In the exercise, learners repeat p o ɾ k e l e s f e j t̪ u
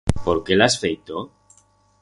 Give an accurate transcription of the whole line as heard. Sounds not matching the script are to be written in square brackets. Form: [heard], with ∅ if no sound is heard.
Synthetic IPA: p o ɾ k e l [a] s f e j t̪ [o]